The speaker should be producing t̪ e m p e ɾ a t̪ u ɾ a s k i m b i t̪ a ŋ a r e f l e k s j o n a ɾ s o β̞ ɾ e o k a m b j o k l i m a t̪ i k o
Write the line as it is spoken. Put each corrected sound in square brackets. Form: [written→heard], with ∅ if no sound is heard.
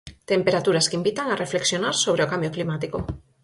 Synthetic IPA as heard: t̪ e m p e ɾ a t̪ u ɾ a s k i m b i t̪ a ŋ a r e f l e k s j o n a ɾ s o β̞ ɾ e o k a m b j o k l i m a t̪ i k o